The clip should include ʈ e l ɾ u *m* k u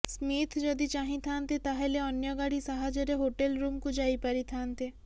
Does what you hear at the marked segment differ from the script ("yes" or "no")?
no